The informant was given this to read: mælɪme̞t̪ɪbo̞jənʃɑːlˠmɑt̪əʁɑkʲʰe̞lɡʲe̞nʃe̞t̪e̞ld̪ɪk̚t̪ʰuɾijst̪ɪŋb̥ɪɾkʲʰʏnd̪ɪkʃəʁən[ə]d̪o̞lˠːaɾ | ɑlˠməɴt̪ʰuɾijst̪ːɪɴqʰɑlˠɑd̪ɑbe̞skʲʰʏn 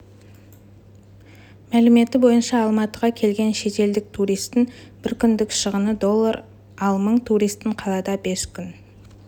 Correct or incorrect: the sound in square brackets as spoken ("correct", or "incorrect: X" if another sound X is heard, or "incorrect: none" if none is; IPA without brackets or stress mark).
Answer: correct